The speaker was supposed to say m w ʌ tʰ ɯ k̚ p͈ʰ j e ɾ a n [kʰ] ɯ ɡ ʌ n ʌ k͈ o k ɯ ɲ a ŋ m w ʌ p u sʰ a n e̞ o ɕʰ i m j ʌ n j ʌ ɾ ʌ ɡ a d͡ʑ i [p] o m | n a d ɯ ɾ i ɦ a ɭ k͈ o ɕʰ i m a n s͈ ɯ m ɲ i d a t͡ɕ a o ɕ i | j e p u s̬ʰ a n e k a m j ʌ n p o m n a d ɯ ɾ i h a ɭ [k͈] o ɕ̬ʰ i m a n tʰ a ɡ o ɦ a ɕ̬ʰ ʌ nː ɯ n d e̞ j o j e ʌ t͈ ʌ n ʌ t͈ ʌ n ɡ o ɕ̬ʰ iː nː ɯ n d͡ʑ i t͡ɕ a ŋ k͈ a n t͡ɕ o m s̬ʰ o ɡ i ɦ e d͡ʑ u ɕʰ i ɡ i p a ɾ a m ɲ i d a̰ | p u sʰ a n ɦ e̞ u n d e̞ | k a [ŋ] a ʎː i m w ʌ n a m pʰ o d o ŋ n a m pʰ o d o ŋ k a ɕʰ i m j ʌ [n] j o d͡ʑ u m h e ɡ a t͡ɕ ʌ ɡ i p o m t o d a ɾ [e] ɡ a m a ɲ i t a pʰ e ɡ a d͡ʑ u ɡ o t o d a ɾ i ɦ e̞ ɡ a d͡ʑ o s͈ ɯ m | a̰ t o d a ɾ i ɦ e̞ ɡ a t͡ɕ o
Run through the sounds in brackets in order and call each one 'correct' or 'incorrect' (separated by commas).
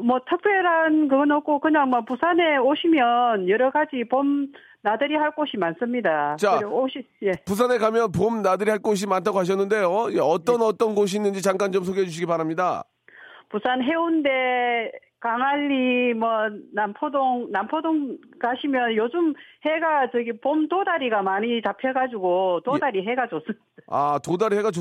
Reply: incorrect, correct, correct, correct, correct, incorrect